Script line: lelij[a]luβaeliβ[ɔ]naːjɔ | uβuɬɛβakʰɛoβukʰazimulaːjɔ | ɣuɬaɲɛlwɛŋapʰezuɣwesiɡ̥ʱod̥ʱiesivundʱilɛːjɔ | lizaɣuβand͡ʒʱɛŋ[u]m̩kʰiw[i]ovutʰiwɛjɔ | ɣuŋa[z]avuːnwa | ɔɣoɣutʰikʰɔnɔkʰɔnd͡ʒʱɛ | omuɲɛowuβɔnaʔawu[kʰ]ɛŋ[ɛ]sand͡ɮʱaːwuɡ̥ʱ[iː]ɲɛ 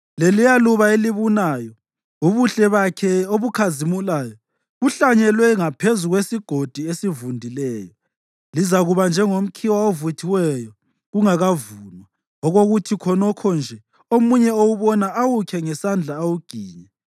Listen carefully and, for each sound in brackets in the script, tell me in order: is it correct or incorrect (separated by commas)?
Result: correct, incorrect, incorrect, incorrect, incorrect, correct, correct, correct